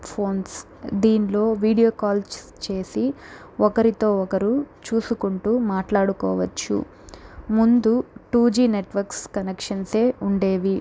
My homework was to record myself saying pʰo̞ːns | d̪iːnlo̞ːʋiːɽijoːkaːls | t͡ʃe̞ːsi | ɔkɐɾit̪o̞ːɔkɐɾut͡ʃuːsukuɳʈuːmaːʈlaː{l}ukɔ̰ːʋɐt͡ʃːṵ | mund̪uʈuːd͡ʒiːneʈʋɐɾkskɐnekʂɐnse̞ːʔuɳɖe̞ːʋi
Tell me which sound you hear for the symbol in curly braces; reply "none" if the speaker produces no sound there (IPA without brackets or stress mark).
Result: ɽ